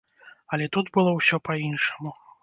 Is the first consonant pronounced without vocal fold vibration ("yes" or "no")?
no